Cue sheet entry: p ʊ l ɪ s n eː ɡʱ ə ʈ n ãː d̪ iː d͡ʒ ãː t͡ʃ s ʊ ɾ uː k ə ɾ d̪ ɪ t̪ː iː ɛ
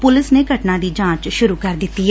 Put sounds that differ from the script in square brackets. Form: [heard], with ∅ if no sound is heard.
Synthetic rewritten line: p ʊ l ɪ s n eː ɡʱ ə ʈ n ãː d̪ iː d͡ʒ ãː t͡ʃ [ʃ] ʊ ɾ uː k ə ɾ d̪ ɪ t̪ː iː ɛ